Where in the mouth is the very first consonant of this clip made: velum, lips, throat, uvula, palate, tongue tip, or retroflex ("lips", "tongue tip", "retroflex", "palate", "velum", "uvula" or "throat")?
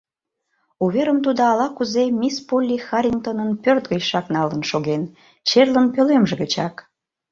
lips